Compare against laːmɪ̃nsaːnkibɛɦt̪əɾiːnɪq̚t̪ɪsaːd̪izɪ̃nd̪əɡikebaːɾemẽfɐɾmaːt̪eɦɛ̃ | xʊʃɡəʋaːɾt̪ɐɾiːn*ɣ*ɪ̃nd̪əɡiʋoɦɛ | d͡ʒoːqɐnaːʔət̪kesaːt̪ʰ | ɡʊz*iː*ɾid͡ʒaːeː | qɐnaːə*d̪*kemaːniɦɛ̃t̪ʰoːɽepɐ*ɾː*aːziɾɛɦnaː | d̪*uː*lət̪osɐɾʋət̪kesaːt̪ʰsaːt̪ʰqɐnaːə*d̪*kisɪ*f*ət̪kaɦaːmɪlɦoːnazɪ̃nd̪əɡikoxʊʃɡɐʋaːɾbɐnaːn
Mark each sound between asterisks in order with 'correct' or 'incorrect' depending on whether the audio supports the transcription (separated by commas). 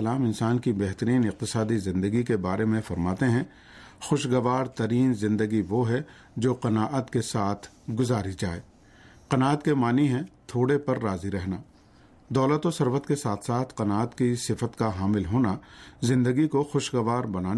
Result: incorrect, incorrect, incorrect, correct, incorrect, incorrect, correct